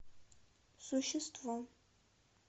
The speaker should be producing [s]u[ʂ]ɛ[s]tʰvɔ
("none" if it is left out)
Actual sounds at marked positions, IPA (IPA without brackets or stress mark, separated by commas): s, ʃ, s